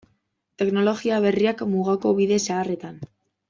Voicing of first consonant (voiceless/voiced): voiceless